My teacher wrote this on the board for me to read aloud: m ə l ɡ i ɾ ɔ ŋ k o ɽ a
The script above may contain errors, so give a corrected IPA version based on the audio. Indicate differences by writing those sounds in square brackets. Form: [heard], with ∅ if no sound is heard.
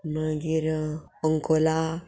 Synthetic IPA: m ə [∅] ɡ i ɾ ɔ ŋ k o [l] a